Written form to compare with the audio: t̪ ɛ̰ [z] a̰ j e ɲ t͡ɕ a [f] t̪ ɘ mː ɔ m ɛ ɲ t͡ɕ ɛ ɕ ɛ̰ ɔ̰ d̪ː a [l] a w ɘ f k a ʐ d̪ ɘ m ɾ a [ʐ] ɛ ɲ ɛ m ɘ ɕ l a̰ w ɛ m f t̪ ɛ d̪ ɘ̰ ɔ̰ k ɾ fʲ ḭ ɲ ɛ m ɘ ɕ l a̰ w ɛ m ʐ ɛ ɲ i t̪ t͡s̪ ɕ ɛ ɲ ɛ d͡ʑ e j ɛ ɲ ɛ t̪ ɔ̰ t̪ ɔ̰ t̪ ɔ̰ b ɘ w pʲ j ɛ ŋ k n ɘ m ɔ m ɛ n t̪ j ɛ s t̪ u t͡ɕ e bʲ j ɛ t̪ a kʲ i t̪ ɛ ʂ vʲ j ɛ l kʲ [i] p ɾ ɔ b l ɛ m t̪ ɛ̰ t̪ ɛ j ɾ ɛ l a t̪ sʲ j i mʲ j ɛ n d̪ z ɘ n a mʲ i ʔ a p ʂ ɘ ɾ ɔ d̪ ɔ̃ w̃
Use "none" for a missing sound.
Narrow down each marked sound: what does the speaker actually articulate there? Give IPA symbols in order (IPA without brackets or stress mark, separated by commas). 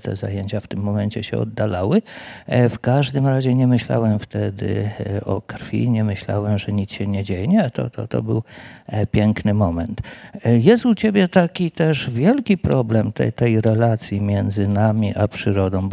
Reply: z, f, l, ʑ, i